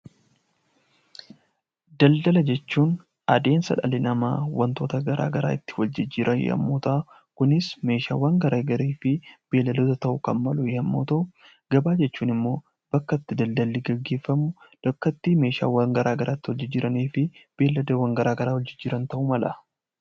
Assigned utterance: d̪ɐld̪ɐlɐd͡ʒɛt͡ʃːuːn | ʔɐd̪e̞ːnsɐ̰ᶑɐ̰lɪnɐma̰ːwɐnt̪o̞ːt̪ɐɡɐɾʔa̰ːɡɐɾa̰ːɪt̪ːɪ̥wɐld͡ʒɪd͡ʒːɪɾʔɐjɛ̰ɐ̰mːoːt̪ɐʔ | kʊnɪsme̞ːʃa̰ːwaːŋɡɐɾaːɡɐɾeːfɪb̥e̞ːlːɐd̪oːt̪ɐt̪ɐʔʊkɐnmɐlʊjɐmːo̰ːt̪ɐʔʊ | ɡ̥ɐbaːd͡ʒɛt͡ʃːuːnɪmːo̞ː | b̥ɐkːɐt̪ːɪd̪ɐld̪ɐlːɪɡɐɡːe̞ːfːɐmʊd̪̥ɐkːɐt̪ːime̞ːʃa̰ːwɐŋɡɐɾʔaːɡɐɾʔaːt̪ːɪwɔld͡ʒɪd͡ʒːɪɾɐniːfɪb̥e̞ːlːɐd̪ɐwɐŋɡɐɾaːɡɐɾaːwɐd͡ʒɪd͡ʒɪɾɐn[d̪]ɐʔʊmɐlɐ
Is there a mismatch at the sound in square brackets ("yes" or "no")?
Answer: yes